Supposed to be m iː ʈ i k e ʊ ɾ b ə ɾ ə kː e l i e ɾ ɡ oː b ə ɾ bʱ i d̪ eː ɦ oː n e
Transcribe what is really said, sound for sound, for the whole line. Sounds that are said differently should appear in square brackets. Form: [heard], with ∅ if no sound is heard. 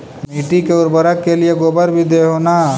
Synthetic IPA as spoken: m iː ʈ i k e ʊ ɾ b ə ɾ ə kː e l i e [∅] ɡ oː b ə ɾ bʱ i d̪ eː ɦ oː n [a]